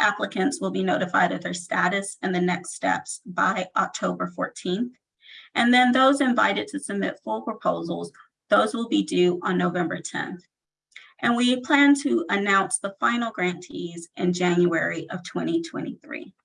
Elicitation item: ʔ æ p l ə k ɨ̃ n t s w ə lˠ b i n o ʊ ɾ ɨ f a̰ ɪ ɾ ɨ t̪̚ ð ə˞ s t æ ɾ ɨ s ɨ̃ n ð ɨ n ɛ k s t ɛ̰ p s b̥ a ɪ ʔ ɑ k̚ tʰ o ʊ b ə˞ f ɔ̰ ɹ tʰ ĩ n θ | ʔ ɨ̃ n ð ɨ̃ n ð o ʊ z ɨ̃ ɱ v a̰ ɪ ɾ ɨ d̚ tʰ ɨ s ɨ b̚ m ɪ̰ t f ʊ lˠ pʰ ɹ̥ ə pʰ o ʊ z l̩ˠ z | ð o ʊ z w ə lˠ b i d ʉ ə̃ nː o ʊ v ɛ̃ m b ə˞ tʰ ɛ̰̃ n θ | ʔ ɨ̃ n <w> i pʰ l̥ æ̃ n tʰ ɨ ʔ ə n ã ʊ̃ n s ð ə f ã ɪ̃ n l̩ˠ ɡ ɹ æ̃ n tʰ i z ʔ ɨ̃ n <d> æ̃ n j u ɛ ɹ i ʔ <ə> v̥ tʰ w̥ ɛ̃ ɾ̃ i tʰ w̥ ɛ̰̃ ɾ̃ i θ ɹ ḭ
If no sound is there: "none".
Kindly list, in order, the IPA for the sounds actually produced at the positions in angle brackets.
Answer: w, d͡ʒ, ʌ

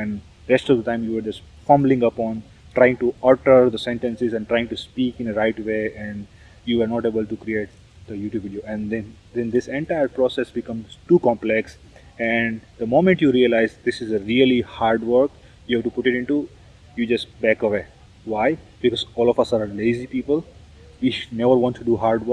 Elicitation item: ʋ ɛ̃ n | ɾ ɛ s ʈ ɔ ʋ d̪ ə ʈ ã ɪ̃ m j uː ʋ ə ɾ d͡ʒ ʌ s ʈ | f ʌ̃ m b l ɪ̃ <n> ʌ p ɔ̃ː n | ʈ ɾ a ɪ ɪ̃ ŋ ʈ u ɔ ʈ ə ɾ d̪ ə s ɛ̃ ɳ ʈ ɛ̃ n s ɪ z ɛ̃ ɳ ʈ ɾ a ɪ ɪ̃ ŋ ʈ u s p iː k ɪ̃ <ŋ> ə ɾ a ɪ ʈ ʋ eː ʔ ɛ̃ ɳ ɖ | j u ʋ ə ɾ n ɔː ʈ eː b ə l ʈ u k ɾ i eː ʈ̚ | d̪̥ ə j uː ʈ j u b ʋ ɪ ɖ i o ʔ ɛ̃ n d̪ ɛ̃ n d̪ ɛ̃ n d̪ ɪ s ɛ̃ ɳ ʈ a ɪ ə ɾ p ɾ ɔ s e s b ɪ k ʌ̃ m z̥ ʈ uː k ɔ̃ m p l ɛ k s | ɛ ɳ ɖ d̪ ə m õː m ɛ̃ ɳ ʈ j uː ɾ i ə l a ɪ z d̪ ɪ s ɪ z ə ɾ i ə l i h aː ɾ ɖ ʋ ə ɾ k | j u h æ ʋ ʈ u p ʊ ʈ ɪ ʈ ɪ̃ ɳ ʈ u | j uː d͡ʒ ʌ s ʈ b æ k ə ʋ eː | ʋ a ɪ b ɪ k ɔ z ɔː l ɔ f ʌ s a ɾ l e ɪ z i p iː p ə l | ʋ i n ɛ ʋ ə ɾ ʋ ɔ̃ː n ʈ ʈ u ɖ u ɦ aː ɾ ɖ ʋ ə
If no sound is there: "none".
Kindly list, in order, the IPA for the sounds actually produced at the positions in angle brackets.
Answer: ŋ, n

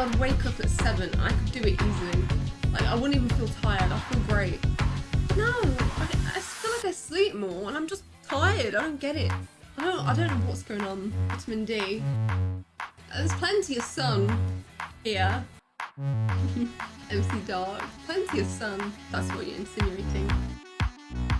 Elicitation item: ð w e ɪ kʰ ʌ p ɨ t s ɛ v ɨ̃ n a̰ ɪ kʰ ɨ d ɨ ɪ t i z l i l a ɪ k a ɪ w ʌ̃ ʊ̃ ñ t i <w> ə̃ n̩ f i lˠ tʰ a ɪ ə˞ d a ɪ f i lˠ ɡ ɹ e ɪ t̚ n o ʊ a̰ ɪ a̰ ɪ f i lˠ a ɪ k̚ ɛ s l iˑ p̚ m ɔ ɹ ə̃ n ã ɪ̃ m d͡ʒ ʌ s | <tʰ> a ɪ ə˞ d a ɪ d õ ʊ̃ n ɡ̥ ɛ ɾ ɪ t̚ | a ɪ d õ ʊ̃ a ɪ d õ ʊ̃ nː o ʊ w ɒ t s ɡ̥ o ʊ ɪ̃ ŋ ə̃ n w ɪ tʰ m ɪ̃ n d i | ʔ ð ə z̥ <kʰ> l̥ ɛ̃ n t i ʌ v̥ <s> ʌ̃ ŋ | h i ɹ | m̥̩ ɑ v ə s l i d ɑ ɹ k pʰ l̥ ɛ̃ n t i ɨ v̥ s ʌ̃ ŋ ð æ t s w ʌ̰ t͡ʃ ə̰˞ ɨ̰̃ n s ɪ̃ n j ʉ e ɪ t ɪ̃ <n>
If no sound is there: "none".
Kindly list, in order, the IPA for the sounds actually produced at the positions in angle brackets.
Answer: v, tʰ, pʰ, s, ŋ

